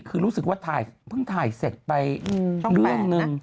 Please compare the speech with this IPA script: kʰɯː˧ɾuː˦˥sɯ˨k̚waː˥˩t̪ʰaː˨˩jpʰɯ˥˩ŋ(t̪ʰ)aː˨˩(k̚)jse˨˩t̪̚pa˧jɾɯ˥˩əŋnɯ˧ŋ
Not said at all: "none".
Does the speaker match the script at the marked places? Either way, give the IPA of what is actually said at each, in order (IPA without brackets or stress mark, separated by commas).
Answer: t̪ʰ, none